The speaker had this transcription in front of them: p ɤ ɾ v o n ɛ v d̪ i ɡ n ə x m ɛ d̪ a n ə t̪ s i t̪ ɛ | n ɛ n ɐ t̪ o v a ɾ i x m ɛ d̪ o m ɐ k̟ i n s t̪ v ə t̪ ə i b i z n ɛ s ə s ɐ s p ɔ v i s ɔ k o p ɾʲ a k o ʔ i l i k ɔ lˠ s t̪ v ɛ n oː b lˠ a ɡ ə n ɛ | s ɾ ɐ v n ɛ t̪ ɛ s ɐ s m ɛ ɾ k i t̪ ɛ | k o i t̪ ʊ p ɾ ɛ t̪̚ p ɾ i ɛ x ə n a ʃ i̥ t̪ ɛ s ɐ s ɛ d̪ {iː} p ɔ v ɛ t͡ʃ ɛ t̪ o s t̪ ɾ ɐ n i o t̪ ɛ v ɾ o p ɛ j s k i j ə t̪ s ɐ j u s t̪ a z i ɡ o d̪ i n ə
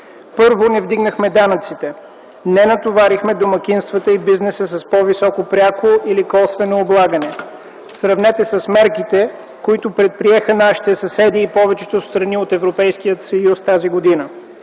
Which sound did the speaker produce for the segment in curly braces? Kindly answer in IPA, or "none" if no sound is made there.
iː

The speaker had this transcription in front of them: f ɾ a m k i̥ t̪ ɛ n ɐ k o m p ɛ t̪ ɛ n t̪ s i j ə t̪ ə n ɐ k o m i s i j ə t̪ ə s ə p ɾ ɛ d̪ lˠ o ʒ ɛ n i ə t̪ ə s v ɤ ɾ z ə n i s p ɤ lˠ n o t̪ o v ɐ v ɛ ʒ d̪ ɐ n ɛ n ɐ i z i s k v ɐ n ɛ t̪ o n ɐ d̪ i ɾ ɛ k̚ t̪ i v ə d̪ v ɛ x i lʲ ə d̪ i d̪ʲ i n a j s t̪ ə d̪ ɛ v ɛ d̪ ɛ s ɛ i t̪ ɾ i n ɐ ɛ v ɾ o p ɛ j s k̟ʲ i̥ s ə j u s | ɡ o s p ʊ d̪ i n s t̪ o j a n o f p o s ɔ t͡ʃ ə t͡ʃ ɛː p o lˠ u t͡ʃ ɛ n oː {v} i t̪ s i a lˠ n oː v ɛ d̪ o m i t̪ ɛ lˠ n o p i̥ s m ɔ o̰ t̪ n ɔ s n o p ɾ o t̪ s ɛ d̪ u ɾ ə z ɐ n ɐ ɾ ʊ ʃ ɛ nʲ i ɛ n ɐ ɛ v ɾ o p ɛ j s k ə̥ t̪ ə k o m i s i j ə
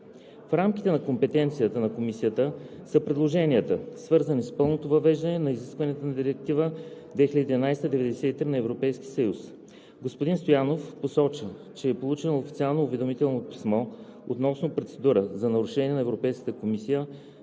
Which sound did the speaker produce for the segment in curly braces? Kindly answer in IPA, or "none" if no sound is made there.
f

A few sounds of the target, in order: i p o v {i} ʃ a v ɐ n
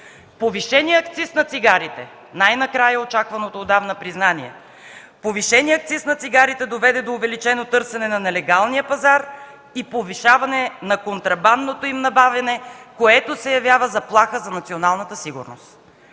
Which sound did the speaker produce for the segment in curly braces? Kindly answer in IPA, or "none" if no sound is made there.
i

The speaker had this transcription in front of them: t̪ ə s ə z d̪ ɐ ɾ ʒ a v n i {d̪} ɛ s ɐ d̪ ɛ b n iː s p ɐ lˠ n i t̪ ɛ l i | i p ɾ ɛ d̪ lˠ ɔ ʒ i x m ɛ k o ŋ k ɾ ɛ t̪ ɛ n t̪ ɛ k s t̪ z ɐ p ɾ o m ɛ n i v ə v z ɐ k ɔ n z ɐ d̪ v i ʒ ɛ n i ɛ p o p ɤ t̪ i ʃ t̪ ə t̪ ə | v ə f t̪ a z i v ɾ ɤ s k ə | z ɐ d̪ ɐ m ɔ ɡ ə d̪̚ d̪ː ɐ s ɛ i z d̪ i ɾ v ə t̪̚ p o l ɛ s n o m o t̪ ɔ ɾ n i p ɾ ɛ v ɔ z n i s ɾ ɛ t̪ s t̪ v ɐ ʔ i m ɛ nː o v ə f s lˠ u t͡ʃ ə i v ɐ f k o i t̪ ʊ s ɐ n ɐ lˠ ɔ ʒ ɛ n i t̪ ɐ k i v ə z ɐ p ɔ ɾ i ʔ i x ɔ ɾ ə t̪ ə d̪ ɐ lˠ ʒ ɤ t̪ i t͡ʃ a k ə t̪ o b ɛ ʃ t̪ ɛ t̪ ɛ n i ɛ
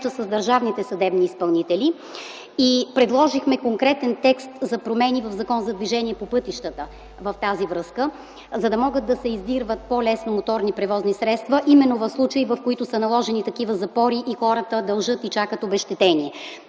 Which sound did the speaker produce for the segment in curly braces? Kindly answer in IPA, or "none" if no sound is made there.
t̪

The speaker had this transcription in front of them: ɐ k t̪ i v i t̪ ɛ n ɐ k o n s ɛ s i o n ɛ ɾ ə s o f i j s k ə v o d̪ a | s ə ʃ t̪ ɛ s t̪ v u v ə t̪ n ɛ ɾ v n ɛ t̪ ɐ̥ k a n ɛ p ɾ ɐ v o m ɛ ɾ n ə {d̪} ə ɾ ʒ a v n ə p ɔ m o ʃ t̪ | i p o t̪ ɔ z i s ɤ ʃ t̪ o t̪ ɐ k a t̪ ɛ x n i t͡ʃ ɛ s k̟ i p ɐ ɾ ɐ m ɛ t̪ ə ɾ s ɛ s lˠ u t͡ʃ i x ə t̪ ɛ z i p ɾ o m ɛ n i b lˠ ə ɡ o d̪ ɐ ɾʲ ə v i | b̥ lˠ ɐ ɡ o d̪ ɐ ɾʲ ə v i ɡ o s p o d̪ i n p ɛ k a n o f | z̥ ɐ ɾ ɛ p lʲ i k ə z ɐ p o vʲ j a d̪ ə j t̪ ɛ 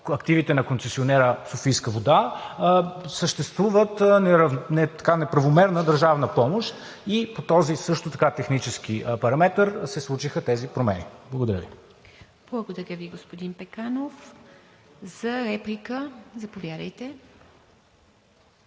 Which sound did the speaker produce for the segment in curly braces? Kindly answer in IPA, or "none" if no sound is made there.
d̪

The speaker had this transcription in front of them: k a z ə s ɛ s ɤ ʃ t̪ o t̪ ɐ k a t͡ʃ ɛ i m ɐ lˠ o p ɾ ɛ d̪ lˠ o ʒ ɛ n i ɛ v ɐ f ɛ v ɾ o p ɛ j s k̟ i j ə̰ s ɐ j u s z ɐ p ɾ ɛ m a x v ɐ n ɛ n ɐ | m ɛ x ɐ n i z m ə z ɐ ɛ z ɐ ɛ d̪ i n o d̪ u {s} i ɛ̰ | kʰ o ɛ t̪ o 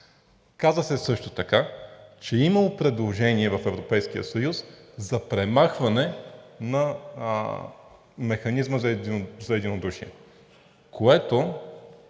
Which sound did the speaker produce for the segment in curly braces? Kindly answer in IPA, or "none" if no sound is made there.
ʃ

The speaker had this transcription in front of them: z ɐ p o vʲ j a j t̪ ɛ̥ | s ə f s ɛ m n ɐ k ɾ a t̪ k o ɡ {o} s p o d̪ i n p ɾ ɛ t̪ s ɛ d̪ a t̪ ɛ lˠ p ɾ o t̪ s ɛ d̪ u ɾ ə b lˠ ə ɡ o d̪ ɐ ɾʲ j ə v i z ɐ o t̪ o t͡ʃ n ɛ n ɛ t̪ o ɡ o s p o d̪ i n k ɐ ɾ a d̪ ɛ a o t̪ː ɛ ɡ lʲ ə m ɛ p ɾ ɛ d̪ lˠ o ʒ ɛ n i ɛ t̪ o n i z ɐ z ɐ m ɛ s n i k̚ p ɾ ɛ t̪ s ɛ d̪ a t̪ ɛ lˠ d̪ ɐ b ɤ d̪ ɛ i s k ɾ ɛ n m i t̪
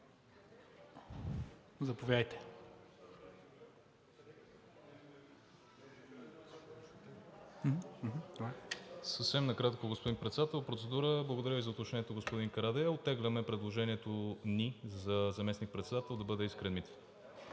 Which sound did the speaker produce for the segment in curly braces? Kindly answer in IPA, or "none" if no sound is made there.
o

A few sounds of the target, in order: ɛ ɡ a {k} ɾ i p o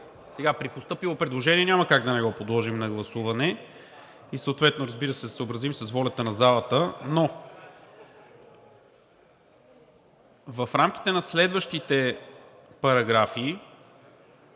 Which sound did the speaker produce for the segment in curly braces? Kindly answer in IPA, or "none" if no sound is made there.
p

